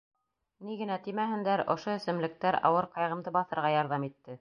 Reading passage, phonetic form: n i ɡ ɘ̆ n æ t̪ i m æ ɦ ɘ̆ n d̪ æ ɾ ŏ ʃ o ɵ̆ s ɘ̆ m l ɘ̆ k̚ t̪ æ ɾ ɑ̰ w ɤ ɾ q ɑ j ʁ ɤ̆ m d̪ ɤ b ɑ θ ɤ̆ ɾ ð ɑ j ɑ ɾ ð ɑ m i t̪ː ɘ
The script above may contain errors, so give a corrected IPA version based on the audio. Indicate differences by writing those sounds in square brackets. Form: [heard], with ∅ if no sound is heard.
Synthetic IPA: n i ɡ ɘ̆ n æ t̪ i m æ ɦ ɘ̆ n d̪ æ ɾ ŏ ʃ o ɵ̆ s ɘ̆ m l ɘ̆ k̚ t̪ æ ɾ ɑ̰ w ɤ ɾ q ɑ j ʁ ɤ̆ m d̪ ɤ b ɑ θ ɤ̆ ɾ [ʁ] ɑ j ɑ ɾ ð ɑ m i t̪ː ɘ